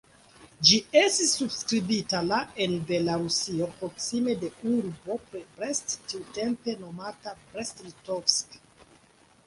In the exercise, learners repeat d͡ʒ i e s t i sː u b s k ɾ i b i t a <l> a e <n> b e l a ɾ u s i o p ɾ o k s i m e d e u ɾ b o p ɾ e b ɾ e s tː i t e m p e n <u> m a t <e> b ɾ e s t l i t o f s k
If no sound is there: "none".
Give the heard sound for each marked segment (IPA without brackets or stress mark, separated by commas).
l, n, o, a